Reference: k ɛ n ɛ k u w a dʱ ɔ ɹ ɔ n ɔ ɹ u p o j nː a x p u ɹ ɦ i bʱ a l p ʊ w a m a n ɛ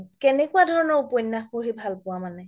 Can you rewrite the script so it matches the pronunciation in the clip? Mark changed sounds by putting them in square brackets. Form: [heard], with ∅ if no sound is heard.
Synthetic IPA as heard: k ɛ n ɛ k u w a dʱ ɔ ɹ ɔ n ɔ ɹ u p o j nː a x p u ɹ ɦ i bʱ a l p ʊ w a m a n ɛ